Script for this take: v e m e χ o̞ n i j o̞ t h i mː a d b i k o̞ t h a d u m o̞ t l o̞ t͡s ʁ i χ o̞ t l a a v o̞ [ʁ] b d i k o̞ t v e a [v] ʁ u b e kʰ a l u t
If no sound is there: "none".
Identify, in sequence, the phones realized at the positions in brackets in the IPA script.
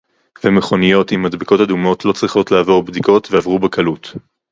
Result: ʁ, v

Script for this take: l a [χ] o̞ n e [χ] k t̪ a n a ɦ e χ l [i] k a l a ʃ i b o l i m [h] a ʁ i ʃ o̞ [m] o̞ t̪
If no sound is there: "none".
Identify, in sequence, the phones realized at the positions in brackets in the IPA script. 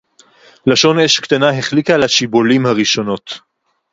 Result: ʃ, ʃ, i, h, n

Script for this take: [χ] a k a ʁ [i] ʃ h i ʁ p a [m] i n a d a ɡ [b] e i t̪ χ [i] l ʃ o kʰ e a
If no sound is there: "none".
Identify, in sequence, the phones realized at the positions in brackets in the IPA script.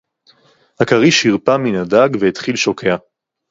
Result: h, i, m, v, i

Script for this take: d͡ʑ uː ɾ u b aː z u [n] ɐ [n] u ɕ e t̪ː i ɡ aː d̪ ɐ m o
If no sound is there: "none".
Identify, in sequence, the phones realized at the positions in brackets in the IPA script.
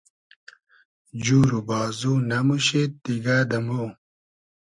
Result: n, m

